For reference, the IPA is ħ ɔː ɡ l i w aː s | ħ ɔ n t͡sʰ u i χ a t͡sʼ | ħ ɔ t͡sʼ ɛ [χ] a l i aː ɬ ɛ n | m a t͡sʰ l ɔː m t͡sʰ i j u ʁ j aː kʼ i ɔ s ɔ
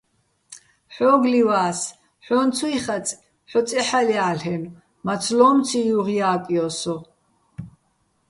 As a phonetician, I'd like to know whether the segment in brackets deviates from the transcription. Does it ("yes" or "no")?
yes